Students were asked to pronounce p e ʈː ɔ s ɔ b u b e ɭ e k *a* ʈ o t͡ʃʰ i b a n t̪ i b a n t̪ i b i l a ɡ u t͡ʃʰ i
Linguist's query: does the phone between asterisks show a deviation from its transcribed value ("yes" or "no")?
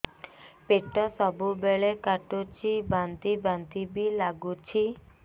no